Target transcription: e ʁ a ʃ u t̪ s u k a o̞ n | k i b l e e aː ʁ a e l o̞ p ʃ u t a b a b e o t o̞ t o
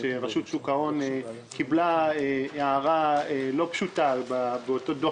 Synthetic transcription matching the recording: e ʁ a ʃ u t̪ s u k a o̞ n | k i b l a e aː ʁ a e l o̞ p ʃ u t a b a b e o t o̞ d o